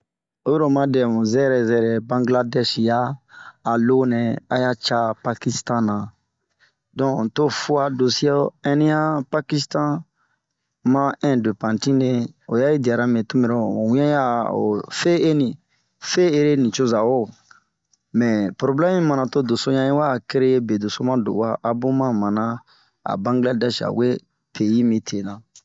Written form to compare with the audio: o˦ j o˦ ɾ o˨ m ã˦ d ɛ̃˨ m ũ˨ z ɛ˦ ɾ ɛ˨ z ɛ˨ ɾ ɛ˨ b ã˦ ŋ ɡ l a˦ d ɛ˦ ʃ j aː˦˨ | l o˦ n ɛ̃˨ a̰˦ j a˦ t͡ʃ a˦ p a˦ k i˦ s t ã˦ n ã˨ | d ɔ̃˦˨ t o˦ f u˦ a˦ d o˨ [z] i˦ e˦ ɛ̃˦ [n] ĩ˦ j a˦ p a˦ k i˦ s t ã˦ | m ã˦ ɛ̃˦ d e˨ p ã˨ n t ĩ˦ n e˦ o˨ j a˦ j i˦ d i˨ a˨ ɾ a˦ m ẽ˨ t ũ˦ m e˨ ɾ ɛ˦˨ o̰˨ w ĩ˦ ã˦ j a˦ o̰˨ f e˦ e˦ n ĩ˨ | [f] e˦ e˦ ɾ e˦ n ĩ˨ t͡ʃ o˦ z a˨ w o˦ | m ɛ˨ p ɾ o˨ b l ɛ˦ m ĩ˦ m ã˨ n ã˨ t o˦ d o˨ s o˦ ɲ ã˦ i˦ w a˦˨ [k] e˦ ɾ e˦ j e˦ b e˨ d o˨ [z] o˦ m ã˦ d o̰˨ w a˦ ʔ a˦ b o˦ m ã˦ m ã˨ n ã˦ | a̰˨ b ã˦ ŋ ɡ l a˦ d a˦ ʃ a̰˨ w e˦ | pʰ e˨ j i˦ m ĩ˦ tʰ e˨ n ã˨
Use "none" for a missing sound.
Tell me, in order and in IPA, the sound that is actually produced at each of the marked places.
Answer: s, n, f, k, s

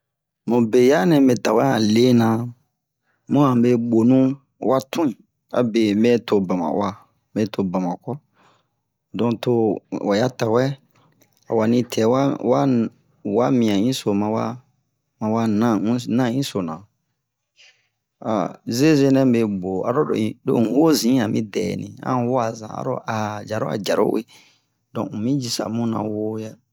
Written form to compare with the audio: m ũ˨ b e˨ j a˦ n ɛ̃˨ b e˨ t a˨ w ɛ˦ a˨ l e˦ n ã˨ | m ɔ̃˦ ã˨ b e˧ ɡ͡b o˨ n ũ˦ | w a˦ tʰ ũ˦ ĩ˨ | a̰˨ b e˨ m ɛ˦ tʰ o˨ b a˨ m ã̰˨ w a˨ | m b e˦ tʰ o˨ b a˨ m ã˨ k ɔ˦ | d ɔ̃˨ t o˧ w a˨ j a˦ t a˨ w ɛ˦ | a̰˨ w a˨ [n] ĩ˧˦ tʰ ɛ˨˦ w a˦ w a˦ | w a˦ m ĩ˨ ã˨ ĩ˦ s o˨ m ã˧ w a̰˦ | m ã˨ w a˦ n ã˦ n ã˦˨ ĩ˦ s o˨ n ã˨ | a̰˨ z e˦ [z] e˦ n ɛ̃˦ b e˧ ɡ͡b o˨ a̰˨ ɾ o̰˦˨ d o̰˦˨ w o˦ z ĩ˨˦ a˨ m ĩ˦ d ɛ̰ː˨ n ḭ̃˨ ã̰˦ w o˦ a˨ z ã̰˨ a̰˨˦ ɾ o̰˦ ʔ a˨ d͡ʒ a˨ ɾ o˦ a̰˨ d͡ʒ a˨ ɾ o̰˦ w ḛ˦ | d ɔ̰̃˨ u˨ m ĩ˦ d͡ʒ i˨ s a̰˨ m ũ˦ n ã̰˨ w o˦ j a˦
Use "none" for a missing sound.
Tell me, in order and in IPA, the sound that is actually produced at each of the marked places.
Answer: n, z

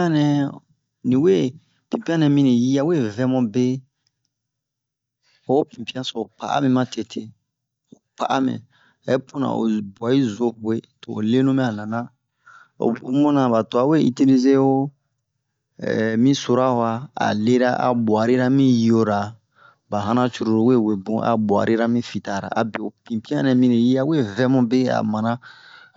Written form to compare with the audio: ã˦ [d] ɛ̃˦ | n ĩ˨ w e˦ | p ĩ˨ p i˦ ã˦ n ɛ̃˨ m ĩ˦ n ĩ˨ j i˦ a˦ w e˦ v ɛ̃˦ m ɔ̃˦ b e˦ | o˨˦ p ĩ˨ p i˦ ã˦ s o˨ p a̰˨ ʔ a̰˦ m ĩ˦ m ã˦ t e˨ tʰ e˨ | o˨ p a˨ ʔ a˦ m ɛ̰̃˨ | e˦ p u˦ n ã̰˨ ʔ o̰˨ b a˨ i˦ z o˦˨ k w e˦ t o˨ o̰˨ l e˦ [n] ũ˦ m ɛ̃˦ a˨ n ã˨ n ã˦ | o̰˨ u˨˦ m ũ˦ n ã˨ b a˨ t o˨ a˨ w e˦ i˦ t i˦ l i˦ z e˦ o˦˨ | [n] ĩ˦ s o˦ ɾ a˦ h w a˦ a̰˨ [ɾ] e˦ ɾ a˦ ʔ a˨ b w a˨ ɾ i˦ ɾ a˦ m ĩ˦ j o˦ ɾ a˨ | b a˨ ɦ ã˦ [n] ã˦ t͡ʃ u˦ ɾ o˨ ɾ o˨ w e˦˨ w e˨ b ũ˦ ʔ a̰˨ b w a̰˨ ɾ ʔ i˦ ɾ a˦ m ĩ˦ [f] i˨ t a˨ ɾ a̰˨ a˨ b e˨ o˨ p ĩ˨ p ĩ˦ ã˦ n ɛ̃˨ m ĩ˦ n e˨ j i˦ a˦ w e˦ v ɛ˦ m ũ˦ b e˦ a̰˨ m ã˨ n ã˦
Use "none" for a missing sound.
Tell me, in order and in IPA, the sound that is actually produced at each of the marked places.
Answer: n, n, m, l, n, f

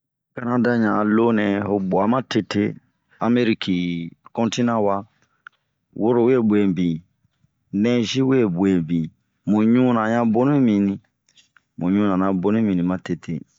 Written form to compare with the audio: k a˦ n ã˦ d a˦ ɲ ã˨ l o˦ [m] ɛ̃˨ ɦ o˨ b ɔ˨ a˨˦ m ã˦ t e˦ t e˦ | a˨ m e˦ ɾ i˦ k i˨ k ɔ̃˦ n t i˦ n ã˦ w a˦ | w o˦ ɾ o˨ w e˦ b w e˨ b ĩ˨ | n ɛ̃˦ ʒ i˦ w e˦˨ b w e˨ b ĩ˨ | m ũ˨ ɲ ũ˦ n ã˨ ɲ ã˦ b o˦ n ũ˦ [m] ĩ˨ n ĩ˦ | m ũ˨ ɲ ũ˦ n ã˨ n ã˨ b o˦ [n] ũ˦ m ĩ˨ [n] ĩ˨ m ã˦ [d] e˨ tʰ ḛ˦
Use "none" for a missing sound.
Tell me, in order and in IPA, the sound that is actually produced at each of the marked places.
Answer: n, m, n, n, t

